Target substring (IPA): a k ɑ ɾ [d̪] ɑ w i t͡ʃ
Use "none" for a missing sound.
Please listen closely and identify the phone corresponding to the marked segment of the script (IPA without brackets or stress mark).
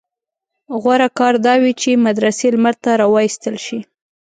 d̪